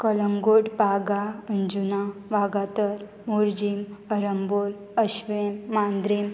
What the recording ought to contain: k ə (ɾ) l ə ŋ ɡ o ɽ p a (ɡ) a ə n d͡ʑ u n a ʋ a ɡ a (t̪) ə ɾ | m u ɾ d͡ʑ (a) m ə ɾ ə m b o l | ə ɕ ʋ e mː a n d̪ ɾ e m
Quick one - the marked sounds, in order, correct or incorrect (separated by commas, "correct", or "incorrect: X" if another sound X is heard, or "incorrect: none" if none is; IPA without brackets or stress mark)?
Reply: incorrect: none, correct, correct, incorrect: i